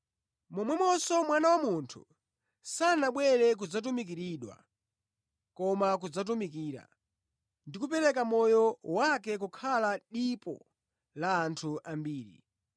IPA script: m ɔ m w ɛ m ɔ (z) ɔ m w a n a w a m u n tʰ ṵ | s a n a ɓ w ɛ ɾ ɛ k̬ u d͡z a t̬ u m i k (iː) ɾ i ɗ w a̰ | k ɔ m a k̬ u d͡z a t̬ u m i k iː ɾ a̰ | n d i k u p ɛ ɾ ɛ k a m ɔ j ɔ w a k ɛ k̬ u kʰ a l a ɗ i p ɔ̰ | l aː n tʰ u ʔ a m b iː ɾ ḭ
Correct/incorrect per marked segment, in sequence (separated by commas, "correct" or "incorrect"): incorrect, incorrect